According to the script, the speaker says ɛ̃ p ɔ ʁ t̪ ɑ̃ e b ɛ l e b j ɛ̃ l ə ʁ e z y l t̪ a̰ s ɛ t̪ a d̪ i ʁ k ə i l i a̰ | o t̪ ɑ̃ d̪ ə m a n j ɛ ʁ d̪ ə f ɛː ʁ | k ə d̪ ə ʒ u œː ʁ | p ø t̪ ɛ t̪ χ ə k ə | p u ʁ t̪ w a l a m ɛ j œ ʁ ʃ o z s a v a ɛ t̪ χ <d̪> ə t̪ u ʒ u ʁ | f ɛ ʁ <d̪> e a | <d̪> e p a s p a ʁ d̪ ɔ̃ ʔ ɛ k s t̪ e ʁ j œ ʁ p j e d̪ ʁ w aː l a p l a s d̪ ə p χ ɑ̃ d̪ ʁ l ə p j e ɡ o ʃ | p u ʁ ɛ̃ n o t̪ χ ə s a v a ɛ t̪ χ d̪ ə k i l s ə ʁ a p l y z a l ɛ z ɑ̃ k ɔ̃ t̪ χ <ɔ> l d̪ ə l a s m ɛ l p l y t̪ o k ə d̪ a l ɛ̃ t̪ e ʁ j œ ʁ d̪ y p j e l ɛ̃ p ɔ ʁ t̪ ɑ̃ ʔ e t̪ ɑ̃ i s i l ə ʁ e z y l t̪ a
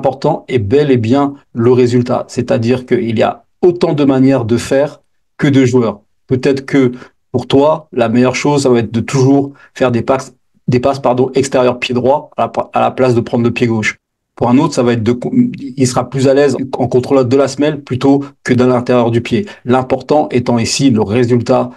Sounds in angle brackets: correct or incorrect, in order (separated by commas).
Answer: correct, correct, correct, incorrect